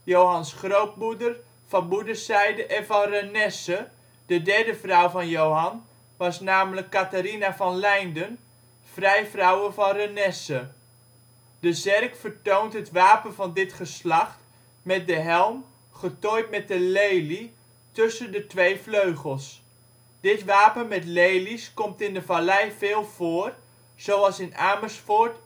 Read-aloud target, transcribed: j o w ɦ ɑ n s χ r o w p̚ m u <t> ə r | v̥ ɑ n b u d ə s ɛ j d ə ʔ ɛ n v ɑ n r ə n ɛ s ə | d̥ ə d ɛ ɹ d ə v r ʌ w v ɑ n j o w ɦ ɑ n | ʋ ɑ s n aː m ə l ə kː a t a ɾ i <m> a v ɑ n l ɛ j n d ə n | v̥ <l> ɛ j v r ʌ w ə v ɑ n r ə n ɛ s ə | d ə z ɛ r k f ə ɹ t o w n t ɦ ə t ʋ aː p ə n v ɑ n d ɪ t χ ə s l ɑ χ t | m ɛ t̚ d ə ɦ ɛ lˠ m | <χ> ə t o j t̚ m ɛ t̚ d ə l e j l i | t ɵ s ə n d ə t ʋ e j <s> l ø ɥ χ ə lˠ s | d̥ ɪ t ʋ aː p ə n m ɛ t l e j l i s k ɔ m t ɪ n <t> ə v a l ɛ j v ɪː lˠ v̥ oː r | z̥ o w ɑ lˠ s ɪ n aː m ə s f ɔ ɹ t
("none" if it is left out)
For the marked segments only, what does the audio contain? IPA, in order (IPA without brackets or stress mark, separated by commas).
d, n, r, χ, f, d